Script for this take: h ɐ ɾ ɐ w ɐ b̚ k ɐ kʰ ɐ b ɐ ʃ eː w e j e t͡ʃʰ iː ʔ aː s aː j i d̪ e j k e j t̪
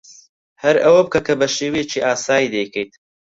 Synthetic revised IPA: h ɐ ɾ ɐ w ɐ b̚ k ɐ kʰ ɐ b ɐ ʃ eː w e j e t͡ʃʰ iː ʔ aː s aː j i d̪ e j k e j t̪